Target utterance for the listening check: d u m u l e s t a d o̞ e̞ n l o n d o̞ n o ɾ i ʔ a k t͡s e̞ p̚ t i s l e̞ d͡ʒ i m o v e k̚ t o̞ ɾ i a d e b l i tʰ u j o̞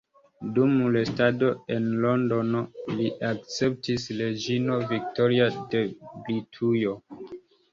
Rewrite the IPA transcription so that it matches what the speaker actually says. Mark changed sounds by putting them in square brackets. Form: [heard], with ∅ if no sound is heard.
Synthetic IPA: d u m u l e s t a d o̞ e̞ n l o n d o̞ n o [l] i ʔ a k t͡s e̞ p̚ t i s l e̞ d͡ʒ i [n] o v [i] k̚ t o̞ ɾ i a d e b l i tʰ u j o̞